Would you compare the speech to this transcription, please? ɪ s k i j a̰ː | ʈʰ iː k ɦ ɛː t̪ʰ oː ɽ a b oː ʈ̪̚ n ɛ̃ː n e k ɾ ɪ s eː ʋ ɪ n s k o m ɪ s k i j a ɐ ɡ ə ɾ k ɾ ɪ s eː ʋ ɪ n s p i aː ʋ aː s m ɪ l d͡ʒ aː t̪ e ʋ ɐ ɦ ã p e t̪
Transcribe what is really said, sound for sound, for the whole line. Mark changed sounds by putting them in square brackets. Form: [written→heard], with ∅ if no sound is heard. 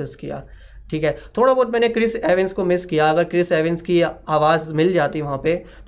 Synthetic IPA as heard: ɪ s k i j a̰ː | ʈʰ iː k ɦ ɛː t̪ʰ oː ɽ a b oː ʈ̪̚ [n→m] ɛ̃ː n e k ɾ ɪ s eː ʋ ɪ n s k o m ɪ s k i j a ɐ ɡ ə ɾ k ɾ ɪ s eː ʋ ɪ n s [p→k] i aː ʋ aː [s→z] m ɪ l d͡ʒ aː t̪ [e→i] ʋ ɐ ɦ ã p e t̪